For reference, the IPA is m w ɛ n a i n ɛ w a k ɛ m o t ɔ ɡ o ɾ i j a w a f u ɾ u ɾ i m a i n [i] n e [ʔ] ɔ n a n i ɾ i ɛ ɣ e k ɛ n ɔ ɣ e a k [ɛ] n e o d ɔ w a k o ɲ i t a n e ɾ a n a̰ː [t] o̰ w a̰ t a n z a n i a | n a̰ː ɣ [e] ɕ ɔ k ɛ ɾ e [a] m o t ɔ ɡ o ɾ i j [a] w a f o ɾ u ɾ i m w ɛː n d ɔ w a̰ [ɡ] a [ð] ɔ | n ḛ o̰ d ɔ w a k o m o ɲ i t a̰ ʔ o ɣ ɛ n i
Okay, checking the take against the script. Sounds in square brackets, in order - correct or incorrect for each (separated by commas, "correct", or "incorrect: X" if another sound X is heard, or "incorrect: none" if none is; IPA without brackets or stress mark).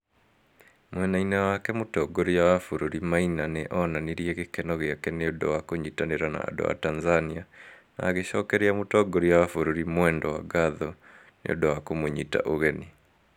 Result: incorrect: a, correct, correct, incorrect: d, correct, correct, correct, correct, correct